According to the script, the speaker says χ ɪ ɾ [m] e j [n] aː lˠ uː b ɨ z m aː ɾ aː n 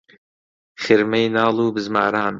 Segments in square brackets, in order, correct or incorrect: correct, correct

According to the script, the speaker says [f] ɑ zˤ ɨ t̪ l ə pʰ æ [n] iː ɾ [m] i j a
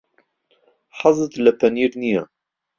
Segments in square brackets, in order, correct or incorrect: incorrect, correct, incorrect

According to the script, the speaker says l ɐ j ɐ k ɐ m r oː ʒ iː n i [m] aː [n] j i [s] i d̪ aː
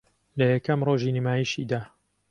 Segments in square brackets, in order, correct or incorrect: correct, incorrect, incorrect

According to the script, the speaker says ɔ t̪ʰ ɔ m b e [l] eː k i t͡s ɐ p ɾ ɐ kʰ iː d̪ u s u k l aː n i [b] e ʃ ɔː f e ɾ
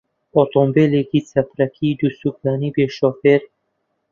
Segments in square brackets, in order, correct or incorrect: correct, correct

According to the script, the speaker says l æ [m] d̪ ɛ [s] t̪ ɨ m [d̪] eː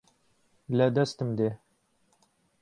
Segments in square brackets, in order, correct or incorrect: incorrect, correct, correct

